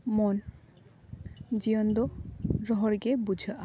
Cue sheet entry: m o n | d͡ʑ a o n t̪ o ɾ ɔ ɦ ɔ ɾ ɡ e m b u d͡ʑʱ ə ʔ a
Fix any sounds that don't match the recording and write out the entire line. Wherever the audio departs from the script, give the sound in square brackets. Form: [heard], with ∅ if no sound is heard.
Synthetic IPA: m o n | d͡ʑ [i] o n [d̪] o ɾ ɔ ɦ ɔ ɾ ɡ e [∅] b u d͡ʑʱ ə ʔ a